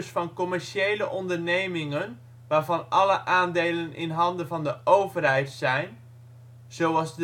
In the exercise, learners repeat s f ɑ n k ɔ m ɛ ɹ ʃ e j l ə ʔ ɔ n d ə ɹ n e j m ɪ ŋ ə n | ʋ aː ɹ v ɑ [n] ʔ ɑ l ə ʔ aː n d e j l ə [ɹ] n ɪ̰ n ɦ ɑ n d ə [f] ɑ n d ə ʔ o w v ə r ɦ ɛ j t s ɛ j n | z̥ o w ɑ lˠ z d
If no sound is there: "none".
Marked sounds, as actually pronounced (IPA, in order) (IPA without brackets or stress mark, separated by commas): n, none, v